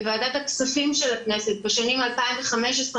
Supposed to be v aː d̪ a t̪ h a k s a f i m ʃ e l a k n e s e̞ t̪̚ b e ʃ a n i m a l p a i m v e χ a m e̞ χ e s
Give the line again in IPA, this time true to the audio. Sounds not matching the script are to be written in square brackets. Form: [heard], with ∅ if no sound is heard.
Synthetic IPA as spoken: v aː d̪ a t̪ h a k s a f i m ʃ e l a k n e s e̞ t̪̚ b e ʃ a n i m a l p a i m v e χ a m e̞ [ʃ] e s